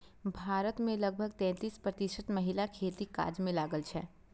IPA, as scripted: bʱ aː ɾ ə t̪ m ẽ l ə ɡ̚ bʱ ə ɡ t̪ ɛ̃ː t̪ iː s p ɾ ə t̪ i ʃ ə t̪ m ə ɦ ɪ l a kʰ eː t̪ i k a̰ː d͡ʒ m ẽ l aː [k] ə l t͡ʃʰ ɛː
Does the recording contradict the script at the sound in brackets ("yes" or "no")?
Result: yes